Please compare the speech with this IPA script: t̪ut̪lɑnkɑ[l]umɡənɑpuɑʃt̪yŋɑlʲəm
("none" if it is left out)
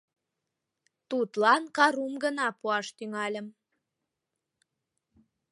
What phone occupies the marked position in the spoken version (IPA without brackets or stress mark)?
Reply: ɾ